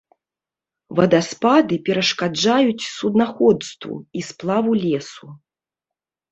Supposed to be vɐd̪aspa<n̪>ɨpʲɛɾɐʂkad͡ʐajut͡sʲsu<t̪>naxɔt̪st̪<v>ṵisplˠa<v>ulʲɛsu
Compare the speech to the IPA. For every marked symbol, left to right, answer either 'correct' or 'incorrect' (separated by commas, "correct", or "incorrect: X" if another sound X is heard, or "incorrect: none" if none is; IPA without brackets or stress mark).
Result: incorrect: d̪, incorrect: d̪, correct, correct